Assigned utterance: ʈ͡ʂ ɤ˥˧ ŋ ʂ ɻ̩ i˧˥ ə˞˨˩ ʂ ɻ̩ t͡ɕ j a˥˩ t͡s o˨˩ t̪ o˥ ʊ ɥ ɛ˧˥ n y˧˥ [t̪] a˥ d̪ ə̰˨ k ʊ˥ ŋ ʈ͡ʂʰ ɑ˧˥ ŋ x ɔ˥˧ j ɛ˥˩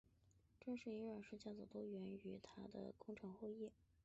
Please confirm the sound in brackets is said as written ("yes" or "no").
no